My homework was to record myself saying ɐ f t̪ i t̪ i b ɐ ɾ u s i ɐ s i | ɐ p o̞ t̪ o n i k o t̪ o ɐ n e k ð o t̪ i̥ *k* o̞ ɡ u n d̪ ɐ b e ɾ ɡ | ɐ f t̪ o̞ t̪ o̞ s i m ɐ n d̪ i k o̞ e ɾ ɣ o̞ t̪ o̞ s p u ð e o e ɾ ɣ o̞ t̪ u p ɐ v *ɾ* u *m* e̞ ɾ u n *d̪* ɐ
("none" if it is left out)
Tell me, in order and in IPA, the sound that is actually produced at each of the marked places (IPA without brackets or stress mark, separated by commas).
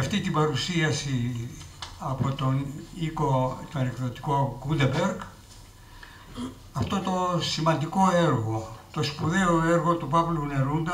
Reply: k, l, n, d̪